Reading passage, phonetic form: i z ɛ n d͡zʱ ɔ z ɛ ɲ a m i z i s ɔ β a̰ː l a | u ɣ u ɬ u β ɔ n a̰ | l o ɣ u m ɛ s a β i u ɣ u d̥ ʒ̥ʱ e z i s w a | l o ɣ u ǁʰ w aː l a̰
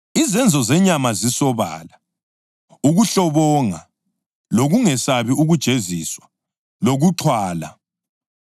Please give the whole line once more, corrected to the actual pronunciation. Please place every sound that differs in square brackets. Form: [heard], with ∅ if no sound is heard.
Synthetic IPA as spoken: i z ɛ n d͡zʱ ɔ z ɛ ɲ a m [a] z i s ɔ β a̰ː l a | u ɣ u ɬ [ɔ] β ɔ [ŋ] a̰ | l o ɣ u [ŋ] ɛ s a β i u ɣ u d̥ ʒ̥ʱ e z i s w a | l o ɣ u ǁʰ w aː l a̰